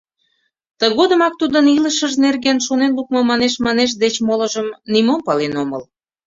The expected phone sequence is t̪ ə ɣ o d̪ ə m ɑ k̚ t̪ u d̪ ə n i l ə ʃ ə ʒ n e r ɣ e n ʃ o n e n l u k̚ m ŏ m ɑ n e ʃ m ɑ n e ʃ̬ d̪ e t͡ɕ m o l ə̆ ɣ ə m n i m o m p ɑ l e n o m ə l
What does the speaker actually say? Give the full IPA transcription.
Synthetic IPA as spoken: t̪ ə ɣ o d̪ ə m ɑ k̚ t̪ u d̪ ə n i l ə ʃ ə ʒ n e r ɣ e n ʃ o n e n l u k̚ m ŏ m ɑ n e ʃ m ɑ n e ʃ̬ d̪ e t͡ɕ m o l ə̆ ʒ ə m n i m o m p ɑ l e n o m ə l